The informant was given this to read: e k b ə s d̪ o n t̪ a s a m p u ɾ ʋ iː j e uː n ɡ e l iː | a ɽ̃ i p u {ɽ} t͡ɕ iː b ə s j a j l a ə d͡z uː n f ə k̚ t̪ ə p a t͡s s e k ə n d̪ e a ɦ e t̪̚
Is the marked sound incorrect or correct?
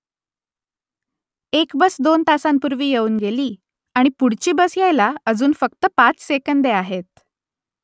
correct